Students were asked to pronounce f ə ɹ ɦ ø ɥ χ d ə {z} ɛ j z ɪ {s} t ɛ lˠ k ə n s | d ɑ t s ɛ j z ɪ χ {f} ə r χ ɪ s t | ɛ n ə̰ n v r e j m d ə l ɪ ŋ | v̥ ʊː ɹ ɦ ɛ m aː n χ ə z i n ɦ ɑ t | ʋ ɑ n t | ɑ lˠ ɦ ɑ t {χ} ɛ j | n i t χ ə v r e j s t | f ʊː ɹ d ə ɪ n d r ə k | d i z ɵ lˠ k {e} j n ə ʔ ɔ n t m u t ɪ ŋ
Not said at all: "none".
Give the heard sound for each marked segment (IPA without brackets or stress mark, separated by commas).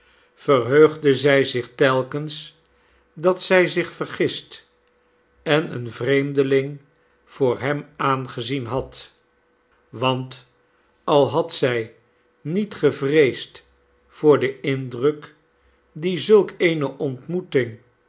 z, χ, f, s, e